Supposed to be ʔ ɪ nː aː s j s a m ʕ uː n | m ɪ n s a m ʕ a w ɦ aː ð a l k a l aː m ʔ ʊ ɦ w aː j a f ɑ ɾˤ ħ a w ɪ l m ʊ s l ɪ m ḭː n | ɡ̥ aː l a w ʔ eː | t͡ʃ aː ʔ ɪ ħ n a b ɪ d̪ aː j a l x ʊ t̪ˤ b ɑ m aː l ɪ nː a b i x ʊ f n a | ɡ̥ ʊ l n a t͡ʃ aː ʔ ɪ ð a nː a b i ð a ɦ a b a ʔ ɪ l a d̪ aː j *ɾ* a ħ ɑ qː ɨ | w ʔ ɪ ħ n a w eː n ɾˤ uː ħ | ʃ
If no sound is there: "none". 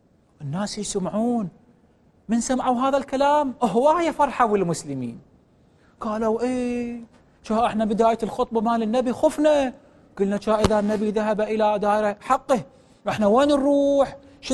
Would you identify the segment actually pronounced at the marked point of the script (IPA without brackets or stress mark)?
ɾ